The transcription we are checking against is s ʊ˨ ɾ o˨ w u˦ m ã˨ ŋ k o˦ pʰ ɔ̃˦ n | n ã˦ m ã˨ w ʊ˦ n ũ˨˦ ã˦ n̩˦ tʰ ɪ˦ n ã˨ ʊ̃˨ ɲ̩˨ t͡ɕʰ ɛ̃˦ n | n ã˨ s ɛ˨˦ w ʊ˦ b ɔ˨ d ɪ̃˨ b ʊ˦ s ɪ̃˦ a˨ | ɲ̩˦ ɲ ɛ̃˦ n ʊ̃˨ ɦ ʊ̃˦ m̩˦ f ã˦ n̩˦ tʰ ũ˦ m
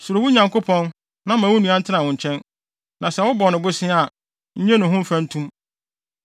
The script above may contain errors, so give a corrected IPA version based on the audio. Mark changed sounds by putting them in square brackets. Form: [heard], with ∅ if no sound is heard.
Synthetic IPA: s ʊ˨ ɾ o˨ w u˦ [ɲ] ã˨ ŋ k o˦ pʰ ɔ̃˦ n | n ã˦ m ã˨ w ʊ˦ n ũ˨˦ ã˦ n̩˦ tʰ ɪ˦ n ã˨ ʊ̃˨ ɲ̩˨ t͡ɕʰ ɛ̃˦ n | n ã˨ s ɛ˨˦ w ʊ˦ b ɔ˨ [n] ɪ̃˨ b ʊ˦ s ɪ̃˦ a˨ | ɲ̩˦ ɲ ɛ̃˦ n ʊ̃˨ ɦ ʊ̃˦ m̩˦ f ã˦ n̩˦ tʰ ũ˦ m